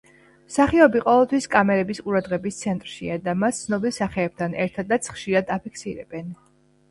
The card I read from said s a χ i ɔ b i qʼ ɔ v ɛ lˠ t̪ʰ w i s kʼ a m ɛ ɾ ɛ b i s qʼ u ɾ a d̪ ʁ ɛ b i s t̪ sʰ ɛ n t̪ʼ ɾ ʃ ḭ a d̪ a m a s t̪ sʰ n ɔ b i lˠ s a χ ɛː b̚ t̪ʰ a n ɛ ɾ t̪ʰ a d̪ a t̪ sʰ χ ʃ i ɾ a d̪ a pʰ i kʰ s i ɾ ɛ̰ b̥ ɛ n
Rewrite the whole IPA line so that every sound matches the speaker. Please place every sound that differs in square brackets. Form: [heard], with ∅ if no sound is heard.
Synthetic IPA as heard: s a χ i ɔ b i qʼ ɔ v ɛ lˠ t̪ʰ w i s kʼ a m ɛ ɾ ɛ b i s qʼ u ɾ a d̪ ʁ ɛ b i s t̪ sʰ ɛ n t̪ʼ ɾ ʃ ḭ a d̪ a m a s t̪ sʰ n ɔ b i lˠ s a χ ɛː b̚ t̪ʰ a n ɛ ɾ t̪ʰ a d̪ a t̪ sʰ χ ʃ i ɾ a d̪ a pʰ i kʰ s i ɾ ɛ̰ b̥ ɛ n